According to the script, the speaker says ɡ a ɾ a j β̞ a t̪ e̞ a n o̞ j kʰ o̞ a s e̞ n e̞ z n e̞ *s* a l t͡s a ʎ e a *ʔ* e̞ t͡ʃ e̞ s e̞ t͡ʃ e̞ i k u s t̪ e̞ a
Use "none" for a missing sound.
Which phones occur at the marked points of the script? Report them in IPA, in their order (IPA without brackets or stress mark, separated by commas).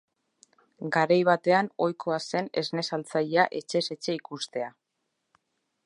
s, ʔ